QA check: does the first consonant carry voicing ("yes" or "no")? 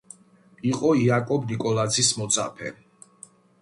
no